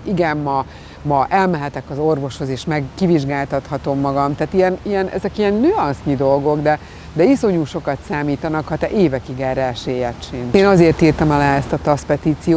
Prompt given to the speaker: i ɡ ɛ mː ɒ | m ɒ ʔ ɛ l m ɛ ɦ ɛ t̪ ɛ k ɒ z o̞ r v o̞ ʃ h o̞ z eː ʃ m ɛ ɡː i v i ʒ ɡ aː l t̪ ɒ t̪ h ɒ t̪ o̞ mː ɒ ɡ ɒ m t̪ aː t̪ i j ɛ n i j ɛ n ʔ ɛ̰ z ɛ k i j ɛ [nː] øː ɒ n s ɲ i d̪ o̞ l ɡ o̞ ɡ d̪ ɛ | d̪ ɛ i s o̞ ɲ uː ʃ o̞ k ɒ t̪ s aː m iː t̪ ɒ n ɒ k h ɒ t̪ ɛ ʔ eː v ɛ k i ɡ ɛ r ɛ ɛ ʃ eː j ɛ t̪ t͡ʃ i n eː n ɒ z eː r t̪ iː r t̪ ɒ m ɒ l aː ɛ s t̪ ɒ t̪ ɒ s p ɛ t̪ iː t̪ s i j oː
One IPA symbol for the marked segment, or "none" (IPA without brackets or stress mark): nː